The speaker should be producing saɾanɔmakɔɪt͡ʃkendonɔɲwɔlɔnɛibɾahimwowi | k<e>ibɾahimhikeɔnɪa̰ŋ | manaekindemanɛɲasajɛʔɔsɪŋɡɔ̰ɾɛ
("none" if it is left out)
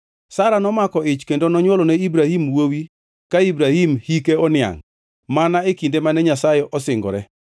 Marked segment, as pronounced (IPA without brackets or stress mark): a